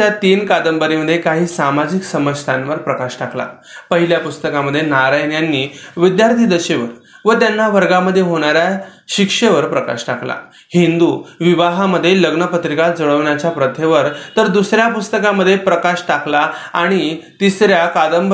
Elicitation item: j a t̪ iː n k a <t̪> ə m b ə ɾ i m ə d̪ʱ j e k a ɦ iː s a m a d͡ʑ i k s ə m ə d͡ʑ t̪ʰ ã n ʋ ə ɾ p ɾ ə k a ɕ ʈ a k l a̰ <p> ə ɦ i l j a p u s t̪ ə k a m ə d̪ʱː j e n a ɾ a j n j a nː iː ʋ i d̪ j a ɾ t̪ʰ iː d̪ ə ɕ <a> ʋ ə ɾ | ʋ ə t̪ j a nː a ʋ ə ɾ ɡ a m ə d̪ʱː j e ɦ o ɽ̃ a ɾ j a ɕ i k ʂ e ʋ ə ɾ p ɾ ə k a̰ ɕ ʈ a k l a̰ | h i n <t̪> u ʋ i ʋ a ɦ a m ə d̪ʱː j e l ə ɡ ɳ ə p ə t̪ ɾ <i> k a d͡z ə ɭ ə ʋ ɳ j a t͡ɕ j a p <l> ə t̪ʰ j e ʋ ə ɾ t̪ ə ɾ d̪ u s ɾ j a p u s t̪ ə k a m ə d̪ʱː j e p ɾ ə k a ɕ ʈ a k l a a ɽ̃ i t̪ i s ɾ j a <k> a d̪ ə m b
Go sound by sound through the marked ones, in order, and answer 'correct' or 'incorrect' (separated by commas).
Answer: incorrect, correct, incorrect, incorrect, correct, incorrect, correct